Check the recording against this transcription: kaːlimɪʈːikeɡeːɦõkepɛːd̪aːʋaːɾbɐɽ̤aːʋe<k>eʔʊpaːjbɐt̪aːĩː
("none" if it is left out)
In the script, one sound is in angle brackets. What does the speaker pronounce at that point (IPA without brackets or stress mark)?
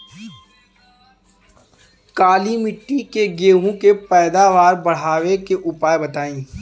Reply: k